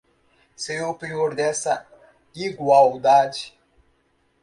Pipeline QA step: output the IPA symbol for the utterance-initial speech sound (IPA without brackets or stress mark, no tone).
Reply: s